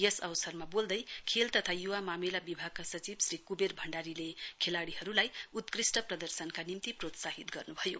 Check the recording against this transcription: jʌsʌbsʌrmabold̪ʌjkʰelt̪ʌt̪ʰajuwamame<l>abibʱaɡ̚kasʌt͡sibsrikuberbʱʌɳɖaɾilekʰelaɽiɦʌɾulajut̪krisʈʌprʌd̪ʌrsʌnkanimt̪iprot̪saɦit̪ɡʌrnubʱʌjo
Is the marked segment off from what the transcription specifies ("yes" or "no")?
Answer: no